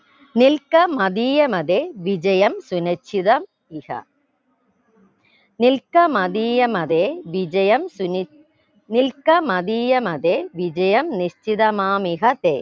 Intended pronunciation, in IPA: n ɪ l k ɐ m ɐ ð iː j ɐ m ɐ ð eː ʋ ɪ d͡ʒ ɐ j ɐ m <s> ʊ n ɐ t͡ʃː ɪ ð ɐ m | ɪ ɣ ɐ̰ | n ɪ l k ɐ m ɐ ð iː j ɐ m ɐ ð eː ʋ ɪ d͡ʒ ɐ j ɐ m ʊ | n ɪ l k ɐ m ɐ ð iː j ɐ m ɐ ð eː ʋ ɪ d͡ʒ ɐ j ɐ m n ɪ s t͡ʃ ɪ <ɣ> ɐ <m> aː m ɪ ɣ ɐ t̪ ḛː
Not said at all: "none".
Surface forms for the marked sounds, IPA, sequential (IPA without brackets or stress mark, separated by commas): s, ð, m